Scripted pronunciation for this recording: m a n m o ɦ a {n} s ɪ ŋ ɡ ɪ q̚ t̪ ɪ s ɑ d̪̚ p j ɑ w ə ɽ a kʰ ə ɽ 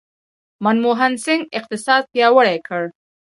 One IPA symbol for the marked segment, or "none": n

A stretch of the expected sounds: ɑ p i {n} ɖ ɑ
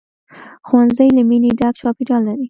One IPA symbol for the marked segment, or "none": none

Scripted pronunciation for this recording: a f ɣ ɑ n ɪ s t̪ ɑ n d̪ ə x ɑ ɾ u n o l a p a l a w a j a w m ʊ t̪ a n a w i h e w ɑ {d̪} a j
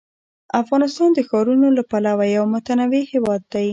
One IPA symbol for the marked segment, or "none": d̪ː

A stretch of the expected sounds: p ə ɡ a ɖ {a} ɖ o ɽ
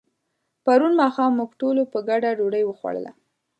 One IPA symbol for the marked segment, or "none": a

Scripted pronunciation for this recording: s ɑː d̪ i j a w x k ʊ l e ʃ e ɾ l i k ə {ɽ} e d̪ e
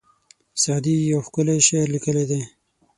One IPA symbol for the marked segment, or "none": l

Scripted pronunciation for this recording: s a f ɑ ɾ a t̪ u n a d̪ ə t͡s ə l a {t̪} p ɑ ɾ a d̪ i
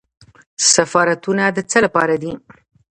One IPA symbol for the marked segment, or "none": none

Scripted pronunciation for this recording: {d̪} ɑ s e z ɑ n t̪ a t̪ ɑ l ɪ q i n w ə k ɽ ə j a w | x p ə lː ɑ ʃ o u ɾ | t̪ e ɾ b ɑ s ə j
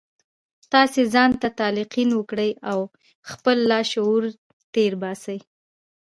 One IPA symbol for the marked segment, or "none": t̪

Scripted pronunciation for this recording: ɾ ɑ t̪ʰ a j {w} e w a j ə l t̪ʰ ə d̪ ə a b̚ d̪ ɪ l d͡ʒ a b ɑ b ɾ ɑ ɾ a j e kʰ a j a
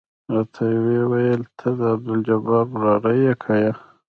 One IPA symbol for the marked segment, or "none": w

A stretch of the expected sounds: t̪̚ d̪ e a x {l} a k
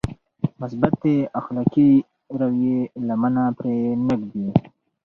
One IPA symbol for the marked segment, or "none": l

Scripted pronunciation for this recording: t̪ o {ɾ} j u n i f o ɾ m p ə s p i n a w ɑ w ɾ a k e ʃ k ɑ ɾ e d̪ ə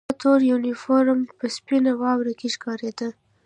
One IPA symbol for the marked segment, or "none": ɾ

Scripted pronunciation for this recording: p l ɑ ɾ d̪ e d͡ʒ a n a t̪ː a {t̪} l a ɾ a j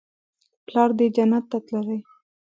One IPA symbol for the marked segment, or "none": t̪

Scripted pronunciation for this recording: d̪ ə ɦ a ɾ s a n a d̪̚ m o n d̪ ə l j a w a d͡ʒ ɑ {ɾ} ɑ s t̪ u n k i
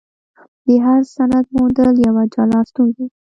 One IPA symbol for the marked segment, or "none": l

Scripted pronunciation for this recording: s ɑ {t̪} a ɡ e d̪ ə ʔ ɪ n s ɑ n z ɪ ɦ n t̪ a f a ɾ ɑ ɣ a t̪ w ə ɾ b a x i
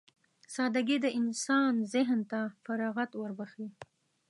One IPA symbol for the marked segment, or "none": d̪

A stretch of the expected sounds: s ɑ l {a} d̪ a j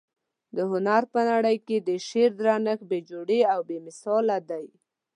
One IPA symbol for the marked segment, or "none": a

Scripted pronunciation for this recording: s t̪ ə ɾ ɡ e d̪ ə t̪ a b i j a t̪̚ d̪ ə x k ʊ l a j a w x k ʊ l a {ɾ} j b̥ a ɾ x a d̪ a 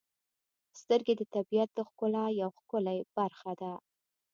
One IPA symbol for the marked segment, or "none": none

